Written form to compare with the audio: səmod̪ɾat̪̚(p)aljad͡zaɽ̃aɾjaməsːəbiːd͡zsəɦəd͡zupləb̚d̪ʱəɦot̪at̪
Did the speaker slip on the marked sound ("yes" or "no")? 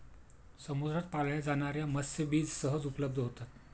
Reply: no